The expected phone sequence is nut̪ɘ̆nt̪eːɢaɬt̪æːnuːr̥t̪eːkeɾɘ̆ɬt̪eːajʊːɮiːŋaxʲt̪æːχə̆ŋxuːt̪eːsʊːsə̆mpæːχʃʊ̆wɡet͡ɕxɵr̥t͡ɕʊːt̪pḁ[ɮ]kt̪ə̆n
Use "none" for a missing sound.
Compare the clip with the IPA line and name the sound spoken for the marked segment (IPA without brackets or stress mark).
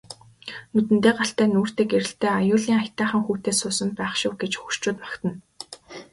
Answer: none